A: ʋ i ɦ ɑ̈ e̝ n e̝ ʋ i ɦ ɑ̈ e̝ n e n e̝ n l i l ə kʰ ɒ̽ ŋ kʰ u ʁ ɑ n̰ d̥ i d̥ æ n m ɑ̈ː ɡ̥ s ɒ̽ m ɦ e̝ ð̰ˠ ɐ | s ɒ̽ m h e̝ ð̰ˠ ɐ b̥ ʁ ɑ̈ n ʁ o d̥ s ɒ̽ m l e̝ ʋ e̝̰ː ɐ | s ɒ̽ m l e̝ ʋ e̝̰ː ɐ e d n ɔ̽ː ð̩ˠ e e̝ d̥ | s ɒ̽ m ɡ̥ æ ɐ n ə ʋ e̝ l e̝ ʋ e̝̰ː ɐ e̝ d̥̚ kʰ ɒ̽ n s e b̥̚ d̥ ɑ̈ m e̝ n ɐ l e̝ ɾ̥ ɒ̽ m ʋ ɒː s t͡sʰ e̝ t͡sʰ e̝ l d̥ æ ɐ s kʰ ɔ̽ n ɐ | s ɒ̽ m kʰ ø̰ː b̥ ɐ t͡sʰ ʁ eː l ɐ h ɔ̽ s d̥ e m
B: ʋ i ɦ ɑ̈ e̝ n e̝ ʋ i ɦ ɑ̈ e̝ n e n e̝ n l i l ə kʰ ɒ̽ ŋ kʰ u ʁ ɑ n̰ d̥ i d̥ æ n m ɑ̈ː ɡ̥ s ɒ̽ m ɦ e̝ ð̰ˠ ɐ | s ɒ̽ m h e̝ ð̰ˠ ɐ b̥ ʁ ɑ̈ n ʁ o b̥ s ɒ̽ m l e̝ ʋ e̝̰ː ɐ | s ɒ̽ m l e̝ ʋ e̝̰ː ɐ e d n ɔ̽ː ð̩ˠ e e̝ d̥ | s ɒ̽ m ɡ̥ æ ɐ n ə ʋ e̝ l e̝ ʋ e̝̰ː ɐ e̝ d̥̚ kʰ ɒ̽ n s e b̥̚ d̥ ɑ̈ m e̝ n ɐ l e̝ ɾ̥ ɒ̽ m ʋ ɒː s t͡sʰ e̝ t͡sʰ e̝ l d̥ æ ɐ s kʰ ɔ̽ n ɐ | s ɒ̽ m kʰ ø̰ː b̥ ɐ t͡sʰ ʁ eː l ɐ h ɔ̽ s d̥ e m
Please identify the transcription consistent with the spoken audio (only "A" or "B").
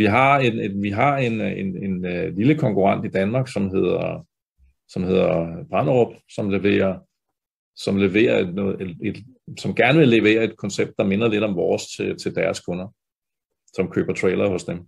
B